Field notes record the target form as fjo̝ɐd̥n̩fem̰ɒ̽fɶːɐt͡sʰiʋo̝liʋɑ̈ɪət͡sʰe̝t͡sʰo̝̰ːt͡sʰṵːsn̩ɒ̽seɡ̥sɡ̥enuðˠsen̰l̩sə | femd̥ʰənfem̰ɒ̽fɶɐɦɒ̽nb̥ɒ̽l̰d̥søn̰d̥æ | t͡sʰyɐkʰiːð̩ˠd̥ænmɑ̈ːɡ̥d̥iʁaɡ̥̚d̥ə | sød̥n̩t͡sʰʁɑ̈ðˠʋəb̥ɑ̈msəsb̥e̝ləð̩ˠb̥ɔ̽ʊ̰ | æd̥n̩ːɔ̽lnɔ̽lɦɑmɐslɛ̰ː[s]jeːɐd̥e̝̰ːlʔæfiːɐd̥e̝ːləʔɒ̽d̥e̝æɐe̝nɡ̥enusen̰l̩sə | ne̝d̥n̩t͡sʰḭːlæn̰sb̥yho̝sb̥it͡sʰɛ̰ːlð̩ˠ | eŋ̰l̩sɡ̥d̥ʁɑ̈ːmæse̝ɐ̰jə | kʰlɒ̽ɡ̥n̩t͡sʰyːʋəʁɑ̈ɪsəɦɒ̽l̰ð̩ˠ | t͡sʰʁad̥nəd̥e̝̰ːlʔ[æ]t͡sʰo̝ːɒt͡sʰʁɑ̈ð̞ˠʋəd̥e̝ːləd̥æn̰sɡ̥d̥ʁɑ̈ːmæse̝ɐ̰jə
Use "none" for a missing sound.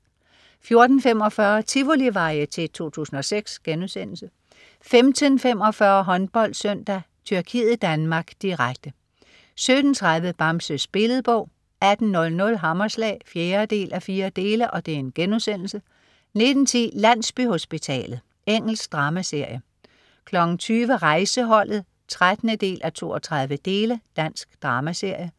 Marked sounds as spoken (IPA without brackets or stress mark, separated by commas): f, æ